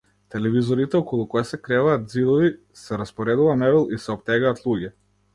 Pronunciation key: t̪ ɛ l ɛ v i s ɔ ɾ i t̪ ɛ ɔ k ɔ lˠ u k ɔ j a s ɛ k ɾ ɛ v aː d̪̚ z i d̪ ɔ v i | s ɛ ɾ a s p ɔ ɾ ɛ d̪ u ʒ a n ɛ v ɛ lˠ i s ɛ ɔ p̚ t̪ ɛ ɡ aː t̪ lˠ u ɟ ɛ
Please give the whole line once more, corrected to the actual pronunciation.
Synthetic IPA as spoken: t̪ ɛ l ɛ v i z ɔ ɾ i t̪ ɛ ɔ k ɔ lˠ u k ɔ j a s ɛ k ɾ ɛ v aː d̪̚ z i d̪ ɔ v i | s ɛ ɾ a s p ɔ ɾ ɛ d̪ u v a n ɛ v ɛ lˠ i s ɛ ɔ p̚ t̪ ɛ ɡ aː t̪ lˠ u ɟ ɛ